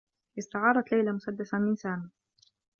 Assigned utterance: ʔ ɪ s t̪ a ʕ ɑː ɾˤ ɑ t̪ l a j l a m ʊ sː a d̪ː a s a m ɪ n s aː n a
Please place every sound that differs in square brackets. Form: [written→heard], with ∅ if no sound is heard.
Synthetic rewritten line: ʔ ɪ s t̪ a ʕ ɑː ɾˤ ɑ t̪ l a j l a m ʊ [sː→s] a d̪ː a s a m ɪ n s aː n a